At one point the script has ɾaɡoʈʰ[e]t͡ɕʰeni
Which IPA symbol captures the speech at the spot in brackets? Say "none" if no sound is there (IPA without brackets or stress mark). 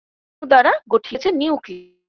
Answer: i